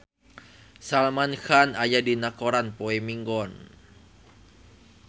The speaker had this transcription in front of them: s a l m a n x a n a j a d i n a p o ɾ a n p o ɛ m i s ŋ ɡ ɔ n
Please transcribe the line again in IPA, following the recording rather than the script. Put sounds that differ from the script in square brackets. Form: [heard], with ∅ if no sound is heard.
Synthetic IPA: s a l m a n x a n a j a d i n a [k] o ɾ a n p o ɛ m i [∅] ŋ ɡ ɔ n